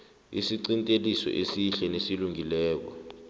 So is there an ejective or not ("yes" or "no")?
yes